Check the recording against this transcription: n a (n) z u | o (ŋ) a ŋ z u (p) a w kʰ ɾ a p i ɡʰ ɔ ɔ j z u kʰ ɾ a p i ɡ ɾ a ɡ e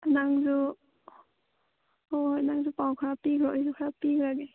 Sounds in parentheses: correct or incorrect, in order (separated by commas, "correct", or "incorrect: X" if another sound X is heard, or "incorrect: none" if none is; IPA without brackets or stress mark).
incorrect: ŋ, incorrect: n, correct